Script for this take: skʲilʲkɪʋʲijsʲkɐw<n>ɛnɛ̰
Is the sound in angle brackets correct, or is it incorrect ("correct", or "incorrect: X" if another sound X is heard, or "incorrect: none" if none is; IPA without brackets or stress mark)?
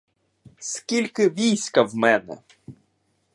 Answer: incorrect: m